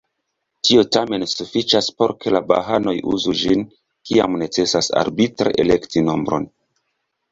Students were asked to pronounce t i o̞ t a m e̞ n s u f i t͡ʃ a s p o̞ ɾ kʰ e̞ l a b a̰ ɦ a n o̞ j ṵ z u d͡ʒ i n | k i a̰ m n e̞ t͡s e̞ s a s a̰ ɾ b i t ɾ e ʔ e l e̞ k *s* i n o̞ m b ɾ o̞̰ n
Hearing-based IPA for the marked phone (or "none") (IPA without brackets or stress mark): t